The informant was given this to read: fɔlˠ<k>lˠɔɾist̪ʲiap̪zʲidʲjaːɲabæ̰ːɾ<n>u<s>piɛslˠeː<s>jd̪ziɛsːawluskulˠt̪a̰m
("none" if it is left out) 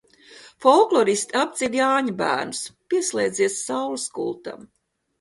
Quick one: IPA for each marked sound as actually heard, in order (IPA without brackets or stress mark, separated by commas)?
k, n, s, none